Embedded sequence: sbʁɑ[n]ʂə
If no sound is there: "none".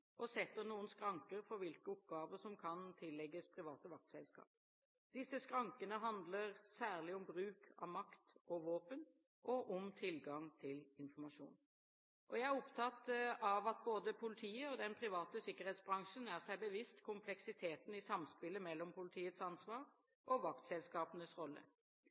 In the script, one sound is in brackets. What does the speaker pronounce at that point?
ŋ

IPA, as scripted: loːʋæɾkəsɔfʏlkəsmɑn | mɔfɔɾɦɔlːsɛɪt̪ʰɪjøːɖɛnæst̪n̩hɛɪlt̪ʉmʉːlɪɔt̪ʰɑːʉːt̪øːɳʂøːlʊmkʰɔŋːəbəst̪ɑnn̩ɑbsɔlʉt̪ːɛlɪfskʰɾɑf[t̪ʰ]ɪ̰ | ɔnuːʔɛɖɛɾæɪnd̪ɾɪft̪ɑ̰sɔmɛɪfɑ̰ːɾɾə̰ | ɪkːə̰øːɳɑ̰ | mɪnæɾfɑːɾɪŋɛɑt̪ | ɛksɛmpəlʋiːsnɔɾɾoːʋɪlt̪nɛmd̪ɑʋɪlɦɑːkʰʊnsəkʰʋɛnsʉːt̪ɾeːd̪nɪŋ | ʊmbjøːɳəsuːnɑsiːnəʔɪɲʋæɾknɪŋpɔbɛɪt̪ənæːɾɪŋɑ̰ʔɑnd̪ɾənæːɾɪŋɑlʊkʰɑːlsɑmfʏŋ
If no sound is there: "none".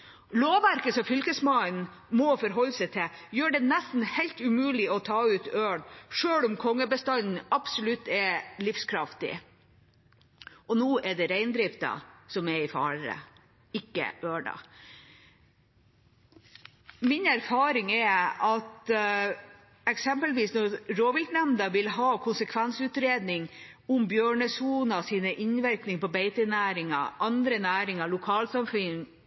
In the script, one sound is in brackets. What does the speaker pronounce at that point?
t̪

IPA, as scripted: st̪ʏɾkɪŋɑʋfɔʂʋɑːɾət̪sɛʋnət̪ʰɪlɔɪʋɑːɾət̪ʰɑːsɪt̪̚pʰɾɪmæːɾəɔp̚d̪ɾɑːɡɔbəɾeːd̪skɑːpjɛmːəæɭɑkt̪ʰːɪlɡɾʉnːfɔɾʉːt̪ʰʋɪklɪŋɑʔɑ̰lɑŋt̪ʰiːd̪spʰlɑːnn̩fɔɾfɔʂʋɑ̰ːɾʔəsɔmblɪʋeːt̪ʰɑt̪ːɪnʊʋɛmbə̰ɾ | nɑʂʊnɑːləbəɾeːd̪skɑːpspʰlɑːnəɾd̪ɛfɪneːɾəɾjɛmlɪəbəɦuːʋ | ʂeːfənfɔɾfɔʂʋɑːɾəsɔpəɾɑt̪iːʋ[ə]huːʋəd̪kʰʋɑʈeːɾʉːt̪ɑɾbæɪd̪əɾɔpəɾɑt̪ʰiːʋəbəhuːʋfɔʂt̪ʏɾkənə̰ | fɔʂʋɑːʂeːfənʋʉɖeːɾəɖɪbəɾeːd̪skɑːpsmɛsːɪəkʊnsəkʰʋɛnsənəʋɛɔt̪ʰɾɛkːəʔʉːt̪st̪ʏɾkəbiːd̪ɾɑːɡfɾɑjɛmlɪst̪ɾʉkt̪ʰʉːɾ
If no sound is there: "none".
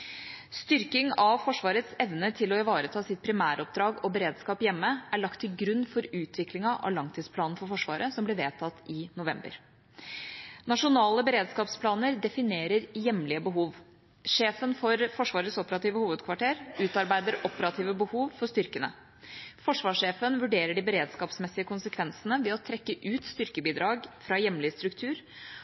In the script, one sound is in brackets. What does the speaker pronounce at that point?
ə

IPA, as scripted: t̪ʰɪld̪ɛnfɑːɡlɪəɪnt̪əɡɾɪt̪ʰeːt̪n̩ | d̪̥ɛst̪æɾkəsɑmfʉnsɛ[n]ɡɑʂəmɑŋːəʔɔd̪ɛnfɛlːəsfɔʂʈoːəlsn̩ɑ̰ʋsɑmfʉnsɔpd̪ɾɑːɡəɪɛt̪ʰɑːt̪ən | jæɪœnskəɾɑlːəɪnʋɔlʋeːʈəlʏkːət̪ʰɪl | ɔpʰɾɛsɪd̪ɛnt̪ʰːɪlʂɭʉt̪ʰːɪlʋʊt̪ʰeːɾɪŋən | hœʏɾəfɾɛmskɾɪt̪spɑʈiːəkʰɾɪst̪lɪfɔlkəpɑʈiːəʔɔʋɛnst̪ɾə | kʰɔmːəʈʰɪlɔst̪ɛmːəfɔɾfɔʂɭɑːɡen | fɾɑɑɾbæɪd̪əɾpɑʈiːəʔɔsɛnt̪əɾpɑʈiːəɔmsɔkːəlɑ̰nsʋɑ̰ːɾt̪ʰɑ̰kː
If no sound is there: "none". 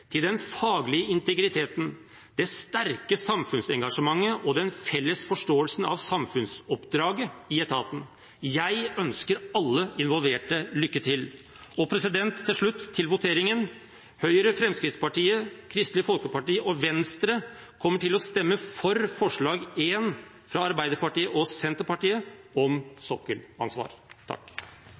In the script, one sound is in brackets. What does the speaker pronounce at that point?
ŋ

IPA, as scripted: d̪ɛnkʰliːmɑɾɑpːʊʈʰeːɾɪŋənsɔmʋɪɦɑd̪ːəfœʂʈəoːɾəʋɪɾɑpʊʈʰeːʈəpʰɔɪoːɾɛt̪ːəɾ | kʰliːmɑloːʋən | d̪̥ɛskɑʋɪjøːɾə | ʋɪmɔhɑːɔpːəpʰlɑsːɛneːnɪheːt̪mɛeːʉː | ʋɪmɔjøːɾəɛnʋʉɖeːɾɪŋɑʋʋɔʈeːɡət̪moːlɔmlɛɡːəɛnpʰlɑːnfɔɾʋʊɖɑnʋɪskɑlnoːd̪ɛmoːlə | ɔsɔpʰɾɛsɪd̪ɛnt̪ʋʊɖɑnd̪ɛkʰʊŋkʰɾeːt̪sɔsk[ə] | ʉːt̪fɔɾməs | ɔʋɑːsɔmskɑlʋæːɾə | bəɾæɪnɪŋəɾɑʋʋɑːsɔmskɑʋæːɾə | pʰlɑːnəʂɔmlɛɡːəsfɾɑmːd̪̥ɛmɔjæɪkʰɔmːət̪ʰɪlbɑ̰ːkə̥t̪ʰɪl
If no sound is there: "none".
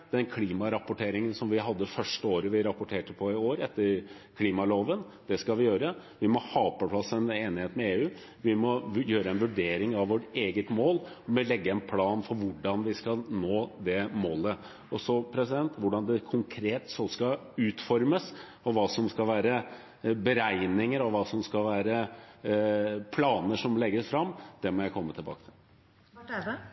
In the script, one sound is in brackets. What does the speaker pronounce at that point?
ɑ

